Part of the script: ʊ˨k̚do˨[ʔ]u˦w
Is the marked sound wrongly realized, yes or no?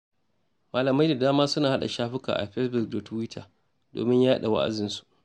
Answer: yes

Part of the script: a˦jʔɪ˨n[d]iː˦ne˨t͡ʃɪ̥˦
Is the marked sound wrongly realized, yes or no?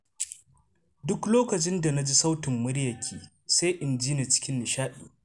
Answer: yes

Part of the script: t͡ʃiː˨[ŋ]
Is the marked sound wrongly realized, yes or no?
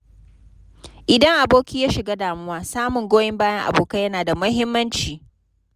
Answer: yes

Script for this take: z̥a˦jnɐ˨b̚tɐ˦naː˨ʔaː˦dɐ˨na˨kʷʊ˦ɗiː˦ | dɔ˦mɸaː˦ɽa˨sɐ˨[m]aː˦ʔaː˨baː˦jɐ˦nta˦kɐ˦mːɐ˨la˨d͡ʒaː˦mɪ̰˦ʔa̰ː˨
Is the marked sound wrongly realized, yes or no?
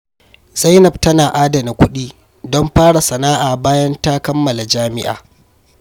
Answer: yes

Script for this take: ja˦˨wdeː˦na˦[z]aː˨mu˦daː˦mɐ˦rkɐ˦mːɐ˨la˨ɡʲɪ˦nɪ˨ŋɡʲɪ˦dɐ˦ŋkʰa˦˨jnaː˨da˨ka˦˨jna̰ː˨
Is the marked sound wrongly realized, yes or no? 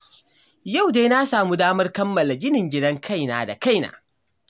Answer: yes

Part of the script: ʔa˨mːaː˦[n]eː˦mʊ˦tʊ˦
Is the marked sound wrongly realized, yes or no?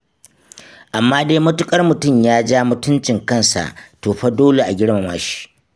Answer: yes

